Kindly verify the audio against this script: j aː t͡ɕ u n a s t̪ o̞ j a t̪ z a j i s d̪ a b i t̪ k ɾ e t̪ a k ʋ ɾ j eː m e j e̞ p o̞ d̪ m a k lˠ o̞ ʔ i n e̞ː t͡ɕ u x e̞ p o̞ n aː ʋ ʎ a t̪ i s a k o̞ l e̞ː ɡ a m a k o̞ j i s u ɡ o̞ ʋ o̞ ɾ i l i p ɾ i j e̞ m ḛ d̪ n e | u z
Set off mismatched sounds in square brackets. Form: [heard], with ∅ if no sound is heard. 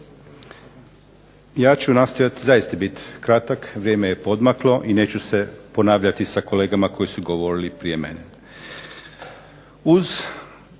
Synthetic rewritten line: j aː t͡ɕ u n a s t̪ o̞ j a t̪ z a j i s [t̪] a b i t̪ k ɾ [a] t̪ a k ʋ ɾ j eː m e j e̞ p o̞ d̪ m a k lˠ o̞ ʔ i n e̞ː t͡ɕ u [s] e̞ p o̞ n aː ʋ ʎ a t̪ i s a k o̞ l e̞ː ɡ a m a k o̞ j i s u ɡ o̞ ʋ o̞ ɾ i l i p ɾ i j e̞ m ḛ [∅] n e | u z